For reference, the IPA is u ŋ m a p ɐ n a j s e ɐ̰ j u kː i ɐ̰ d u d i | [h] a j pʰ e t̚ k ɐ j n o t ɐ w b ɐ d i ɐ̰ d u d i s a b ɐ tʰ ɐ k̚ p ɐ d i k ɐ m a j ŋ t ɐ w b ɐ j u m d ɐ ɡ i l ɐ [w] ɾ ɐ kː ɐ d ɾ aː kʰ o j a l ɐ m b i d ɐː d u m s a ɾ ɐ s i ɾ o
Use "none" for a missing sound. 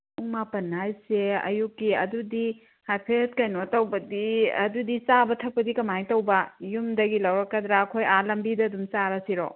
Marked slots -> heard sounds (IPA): h, w

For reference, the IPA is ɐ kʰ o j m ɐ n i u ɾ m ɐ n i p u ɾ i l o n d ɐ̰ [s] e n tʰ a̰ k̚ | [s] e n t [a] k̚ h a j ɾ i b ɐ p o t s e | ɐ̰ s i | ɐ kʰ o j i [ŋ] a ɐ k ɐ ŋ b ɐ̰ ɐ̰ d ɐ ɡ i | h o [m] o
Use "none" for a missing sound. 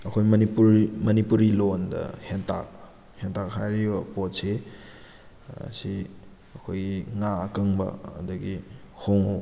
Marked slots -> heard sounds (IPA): h, h, a, ŋ, ŋ

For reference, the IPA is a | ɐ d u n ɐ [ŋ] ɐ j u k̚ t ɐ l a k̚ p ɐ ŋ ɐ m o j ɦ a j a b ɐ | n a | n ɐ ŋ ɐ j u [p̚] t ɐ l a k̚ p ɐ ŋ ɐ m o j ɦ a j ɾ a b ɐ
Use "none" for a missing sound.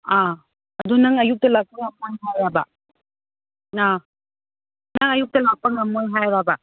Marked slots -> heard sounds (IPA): ŋ, k̚

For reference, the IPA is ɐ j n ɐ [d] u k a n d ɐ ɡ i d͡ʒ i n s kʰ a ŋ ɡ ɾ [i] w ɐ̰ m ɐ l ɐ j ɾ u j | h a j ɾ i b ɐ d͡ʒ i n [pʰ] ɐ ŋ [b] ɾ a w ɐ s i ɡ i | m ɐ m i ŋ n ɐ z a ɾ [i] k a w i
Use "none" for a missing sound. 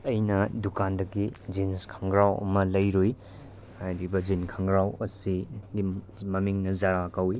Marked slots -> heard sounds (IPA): d, a, kʰ, ɡ, a

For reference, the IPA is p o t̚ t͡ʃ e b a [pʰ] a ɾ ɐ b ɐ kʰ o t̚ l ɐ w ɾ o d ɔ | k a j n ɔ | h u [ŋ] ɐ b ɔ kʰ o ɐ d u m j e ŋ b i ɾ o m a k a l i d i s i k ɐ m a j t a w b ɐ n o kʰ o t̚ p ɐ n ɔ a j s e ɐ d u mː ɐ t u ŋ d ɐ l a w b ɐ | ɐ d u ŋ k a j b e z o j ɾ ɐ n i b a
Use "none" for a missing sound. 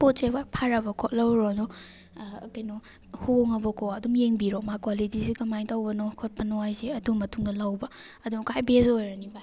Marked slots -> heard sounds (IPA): pʰ, ŋ

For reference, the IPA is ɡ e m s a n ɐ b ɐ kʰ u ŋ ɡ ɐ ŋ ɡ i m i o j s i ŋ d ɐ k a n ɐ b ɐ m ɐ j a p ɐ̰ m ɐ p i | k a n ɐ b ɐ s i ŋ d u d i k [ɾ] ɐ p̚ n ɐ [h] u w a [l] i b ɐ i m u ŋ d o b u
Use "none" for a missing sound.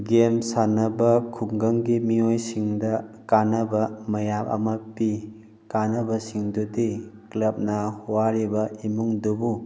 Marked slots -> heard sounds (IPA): l, h, ɾ

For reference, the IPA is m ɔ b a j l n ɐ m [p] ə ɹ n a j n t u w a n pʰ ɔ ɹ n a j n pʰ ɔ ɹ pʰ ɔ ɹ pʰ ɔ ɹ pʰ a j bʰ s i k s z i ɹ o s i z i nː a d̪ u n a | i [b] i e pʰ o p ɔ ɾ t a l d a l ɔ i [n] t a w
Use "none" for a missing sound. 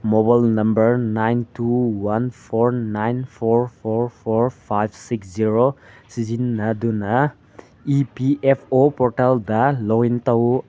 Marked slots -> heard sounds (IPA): b, p, n

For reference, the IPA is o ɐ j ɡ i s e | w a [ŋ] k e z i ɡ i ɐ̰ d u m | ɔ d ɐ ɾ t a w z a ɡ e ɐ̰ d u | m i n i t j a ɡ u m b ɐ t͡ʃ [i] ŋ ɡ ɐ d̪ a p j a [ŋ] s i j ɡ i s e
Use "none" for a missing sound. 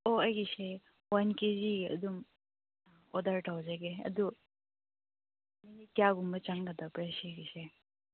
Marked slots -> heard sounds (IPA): n, a, none

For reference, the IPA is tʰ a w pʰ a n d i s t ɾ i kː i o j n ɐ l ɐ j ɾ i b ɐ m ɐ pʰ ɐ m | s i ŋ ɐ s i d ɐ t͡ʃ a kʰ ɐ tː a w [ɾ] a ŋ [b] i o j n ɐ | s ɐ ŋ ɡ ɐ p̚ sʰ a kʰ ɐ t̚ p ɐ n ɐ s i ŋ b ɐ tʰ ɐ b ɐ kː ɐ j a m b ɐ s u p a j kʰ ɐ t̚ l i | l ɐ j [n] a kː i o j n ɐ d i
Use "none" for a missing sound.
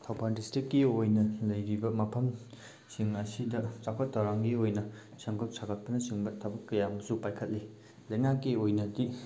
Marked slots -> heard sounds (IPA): ɾ, ɡ, ŋ

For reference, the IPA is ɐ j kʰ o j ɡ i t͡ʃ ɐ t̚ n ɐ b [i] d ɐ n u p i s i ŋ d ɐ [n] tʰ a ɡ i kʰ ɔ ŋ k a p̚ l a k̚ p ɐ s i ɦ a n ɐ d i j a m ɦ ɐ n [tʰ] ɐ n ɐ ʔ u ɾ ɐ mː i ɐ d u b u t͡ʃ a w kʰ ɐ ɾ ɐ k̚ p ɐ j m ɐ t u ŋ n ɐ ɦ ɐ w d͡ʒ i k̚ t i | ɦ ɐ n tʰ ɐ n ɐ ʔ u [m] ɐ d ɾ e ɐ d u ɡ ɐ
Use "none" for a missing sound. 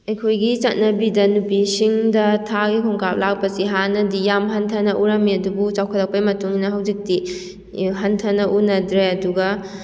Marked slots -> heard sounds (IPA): i, none, tʰ, n

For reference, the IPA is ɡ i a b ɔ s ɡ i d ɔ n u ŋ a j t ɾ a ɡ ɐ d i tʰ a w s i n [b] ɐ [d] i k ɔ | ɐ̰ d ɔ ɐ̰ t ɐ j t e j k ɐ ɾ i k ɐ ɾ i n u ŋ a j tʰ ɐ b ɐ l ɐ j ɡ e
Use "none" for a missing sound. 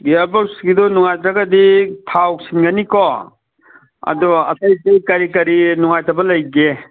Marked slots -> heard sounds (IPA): ɡ, n

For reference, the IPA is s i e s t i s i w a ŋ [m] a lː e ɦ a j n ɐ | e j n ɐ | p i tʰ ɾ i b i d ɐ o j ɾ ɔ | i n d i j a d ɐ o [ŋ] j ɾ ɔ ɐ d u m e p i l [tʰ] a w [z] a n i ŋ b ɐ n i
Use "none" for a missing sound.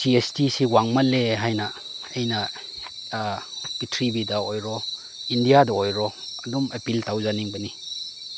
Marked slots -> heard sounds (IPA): m, none, t, z

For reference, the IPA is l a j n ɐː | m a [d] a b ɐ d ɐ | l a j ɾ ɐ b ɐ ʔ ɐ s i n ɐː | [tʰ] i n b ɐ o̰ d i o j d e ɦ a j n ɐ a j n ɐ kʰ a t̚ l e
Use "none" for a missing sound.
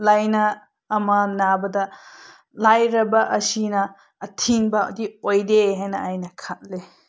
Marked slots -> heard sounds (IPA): n, tʰ

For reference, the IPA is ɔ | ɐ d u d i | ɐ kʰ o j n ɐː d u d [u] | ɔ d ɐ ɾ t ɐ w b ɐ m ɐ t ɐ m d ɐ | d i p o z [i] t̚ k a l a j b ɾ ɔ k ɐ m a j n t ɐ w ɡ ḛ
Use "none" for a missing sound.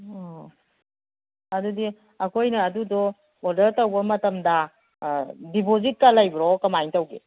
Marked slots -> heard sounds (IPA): ɔ, i

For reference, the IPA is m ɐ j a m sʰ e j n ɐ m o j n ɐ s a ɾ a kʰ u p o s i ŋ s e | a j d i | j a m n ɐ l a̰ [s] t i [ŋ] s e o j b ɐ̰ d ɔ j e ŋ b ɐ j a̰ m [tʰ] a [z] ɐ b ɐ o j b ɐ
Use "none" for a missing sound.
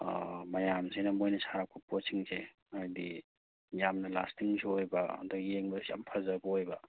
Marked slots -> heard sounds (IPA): s, ŋ, pʰ, z

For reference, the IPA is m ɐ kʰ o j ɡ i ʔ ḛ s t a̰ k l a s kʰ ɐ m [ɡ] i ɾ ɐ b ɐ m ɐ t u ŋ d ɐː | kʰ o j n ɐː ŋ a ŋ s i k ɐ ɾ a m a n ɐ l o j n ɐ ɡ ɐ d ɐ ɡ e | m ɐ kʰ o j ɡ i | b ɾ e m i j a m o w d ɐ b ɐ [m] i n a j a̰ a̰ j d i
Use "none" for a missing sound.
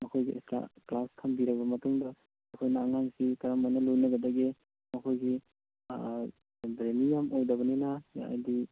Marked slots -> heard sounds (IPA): b, n

